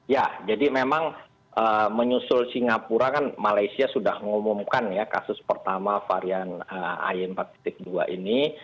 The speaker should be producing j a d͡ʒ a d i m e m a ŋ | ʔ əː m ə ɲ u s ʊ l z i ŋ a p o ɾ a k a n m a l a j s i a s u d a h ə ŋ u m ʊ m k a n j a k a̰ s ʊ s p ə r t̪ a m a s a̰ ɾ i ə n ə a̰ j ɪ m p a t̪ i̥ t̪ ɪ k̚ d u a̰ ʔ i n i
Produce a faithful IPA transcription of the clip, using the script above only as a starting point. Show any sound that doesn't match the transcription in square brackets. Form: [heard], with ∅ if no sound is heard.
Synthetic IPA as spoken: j a d͡ʒ a d i m e m a ŋ | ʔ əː m ə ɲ u s ʊ l [s] i ŋ a p [u] ɾ a k a n m a l a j s i a s u d a h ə ŋ u m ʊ m k a n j a k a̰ s ʊ s p ə r t̪ a m a [f] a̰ ɾ i [a] n ə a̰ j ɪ m p a t̪ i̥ t̪ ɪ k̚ d u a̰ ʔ i n i